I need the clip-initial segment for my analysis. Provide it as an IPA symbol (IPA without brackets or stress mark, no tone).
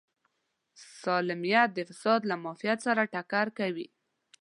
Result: s